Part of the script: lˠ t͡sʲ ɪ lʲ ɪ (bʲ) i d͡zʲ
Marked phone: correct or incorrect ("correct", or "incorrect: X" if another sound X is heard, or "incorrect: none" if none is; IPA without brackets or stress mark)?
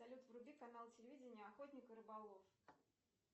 incorrect: vʲ